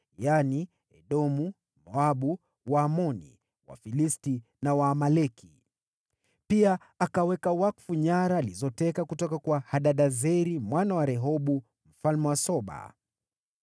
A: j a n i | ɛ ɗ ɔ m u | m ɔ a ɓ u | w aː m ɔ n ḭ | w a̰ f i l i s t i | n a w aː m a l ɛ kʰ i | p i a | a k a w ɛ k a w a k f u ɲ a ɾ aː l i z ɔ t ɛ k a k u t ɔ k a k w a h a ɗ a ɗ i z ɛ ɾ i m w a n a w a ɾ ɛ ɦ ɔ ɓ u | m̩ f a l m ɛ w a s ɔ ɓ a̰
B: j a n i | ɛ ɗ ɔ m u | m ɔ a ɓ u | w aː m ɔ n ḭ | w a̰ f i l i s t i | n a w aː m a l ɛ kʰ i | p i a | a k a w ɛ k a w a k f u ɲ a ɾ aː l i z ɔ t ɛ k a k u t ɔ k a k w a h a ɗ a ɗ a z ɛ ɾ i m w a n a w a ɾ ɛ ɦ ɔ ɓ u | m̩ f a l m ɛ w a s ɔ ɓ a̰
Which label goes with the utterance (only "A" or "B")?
B